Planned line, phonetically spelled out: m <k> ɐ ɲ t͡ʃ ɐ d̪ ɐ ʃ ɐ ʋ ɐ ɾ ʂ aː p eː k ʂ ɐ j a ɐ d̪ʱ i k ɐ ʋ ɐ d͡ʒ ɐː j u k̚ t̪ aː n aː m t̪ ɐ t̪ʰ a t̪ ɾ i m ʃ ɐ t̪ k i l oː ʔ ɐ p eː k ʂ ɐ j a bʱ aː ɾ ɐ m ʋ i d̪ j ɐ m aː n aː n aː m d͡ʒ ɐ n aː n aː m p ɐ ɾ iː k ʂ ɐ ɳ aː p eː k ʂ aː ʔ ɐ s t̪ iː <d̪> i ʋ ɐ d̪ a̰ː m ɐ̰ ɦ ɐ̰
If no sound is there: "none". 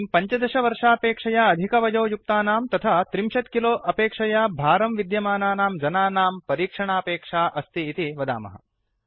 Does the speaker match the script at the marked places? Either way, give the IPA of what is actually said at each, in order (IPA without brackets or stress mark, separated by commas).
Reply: p, t̪